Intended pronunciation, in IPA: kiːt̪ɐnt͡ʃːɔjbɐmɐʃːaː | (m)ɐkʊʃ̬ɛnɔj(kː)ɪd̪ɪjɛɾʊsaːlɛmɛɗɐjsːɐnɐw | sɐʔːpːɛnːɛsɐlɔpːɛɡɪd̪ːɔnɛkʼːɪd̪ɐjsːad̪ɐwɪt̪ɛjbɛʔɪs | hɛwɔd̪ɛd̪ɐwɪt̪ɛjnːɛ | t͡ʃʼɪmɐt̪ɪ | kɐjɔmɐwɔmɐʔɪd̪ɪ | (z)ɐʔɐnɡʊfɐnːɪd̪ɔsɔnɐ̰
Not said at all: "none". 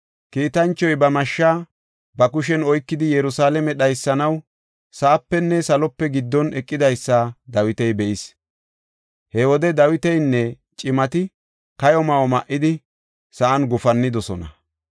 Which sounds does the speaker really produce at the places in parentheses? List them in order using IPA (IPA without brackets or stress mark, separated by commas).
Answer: b, kː, s